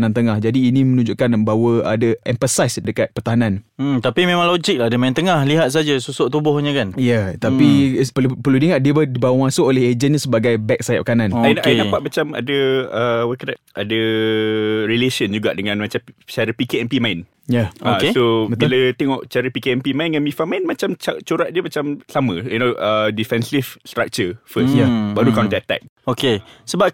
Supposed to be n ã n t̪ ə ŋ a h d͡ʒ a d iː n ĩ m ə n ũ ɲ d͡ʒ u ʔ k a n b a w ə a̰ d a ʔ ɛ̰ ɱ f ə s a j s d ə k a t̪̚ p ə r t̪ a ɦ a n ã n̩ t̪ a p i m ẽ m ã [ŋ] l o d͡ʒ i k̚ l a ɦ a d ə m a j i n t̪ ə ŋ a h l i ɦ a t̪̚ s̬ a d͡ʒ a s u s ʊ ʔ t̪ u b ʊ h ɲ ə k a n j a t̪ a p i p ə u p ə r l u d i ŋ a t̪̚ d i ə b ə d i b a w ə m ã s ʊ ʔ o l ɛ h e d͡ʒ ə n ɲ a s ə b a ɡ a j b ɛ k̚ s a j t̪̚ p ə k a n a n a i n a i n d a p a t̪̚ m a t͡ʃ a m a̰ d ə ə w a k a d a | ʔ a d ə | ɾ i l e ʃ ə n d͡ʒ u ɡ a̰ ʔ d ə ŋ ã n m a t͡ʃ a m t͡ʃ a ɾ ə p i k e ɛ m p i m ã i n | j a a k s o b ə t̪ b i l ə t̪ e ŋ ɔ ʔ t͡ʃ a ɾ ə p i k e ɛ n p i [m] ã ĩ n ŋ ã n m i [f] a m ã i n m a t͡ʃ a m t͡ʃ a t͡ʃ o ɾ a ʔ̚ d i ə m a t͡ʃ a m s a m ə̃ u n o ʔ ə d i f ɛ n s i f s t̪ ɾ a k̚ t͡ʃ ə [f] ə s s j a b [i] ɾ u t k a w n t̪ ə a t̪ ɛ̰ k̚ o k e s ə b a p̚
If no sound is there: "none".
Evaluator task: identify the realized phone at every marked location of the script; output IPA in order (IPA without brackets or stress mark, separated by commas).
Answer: ŋ, m, f, f, a